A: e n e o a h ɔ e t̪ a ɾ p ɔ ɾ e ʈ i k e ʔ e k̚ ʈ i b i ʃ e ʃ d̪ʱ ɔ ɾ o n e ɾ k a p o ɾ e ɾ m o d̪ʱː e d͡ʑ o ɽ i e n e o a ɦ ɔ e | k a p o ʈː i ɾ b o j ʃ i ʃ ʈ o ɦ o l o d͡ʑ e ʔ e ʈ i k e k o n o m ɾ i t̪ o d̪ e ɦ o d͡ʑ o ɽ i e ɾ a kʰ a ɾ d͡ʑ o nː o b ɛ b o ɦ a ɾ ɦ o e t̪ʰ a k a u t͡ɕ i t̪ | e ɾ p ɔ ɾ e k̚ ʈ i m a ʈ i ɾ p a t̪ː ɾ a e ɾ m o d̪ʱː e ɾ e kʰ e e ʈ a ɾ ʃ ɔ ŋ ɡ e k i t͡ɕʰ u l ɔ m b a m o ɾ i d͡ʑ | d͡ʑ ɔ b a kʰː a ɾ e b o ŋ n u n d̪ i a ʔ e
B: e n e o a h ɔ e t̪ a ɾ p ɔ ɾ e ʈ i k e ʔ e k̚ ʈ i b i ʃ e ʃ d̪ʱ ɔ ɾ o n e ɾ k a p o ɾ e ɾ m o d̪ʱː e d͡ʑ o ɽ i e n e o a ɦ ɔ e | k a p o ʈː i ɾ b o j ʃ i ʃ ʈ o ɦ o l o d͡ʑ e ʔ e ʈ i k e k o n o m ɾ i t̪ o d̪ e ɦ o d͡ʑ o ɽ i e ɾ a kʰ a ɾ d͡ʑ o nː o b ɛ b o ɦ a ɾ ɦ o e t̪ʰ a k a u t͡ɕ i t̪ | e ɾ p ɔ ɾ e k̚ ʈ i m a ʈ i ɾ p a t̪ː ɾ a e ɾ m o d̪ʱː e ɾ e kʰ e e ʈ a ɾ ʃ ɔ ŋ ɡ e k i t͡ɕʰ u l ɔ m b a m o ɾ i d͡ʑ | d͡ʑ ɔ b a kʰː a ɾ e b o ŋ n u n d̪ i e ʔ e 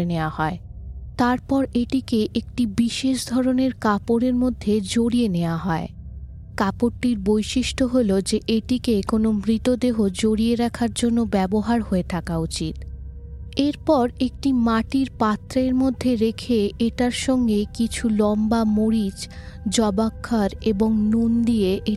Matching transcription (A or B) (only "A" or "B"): B